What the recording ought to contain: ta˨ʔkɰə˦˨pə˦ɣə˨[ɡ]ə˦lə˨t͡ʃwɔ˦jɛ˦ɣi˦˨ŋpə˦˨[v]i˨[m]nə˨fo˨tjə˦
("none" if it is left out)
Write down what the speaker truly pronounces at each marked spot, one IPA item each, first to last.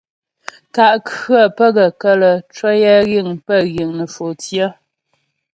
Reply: k, ɣ, ŋ

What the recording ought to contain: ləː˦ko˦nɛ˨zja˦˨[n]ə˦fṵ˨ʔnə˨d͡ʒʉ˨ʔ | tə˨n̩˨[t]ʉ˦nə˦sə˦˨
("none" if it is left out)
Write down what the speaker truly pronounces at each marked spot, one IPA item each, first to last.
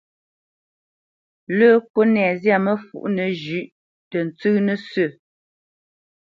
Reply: m, t͡s

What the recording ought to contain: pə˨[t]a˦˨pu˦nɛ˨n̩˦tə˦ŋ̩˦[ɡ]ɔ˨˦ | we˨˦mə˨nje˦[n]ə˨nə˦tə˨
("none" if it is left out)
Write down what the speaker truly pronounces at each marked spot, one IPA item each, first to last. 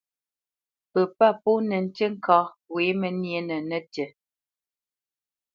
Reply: p, k, n

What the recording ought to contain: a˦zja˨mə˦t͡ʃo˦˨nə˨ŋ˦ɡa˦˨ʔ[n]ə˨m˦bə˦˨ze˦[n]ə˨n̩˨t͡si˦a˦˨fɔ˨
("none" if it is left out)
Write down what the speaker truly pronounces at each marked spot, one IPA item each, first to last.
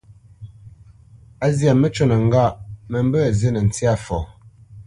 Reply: m, n

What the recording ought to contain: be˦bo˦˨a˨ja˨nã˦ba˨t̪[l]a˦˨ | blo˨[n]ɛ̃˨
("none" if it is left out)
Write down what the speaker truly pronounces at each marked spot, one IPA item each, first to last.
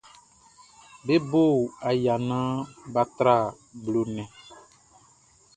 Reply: ɾ, n

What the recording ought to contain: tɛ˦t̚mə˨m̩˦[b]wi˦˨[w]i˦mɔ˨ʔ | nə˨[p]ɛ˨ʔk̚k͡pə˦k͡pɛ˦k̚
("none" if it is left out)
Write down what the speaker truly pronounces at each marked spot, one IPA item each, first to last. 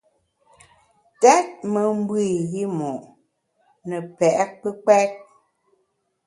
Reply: b, ɣ, p

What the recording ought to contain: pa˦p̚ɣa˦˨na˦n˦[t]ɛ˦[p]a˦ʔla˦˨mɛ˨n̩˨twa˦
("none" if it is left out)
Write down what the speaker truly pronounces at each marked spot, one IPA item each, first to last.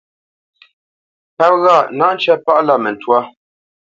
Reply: t͡ʃ, p

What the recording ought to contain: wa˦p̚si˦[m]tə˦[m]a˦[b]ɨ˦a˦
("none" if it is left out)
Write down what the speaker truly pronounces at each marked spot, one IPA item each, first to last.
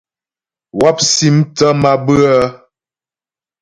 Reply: m, m, b

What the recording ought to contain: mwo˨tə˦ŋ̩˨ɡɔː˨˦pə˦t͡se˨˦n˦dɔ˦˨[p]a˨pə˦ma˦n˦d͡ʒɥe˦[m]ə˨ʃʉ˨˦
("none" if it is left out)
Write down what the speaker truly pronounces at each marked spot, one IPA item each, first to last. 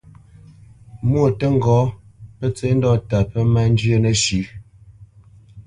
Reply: t, n

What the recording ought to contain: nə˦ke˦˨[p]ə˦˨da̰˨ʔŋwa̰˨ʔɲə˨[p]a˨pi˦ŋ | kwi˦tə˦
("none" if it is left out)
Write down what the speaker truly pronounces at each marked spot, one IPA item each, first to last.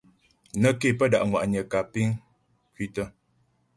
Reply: p, k

